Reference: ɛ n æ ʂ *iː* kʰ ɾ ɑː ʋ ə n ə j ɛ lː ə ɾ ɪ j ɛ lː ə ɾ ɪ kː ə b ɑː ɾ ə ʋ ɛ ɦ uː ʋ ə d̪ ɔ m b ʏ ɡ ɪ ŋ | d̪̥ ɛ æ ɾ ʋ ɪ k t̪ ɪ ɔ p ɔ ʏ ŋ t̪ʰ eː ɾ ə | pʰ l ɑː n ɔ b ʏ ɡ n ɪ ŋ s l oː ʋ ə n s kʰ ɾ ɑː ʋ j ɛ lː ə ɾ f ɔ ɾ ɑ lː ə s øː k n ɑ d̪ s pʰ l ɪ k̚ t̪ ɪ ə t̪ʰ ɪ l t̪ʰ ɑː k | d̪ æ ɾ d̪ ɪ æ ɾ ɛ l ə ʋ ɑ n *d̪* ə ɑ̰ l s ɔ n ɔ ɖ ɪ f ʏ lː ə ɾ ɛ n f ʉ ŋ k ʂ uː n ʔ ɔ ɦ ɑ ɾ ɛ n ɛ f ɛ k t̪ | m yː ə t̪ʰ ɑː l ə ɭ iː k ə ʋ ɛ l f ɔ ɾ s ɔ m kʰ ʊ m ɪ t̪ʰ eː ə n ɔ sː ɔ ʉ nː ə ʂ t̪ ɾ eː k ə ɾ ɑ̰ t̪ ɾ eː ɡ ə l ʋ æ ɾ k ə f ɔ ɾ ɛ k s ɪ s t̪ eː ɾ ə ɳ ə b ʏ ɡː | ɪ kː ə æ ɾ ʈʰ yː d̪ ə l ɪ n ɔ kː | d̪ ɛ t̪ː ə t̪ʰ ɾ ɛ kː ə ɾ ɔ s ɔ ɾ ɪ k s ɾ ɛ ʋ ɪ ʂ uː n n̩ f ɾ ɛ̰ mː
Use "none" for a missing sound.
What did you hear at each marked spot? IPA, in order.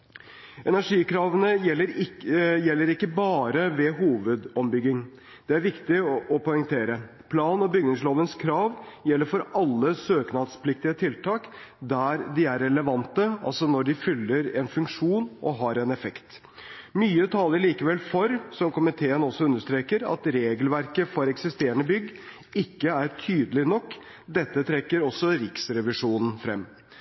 iː, t̪

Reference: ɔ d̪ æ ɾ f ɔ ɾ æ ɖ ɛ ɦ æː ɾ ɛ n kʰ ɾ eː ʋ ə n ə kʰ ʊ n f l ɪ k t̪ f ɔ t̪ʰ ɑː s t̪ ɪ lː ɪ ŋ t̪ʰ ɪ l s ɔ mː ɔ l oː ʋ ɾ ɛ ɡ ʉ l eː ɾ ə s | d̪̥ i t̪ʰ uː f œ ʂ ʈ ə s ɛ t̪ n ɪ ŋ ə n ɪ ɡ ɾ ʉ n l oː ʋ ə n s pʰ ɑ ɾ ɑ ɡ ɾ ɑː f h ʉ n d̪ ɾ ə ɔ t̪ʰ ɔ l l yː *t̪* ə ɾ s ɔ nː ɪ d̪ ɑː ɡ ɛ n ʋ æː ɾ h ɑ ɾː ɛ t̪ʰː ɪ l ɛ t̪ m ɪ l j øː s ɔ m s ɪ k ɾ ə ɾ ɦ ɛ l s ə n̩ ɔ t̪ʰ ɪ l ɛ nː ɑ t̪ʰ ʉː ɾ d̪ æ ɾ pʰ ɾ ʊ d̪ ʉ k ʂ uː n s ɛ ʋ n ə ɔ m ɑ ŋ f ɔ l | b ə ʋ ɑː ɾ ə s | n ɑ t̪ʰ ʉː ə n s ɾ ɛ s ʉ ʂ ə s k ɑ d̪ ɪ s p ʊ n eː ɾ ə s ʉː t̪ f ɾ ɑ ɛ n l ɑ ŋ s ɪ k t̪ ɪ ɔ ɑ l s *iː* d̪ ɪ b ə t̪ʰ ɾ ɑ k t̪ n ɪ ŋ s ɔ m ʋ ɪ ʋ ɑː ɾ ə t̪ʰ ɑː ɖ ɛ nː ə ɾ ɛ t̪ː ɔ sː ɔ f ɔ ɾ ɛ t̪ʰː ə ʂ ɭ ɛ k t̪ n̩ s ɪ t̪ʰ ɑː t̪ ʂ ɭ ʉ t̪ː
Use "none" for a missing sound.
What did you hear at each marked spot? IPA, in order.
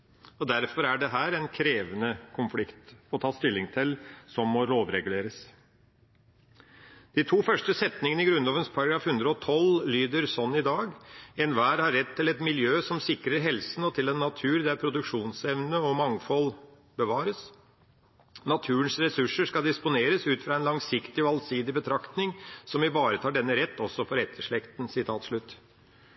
d̪, iː

